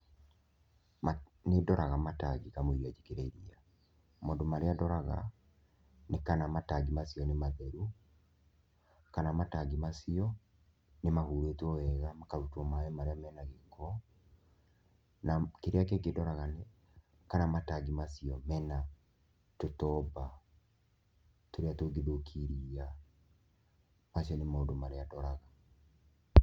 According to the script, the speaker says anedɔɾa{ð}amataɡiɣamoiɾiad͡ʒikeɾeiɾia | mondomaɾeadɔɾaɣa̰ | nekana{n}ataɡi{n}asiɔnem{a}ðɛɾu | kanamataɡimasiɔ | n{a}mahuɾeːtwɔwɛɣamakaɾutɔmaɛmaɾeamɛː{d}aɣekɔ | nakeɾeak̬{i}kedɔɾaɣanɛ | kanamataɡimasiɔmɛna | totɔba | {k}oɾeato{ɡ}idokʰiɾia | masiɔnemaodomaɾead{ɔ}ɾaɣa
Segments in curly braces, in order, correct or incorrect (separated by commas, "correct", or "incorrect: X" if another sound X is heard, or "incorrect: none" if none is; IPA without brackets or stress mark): incorrect: ɣ, incorrect: m, incorrect: m, correct, incorrect: e, incorrect: n, incorrect: e, incorrect: t, correct, correct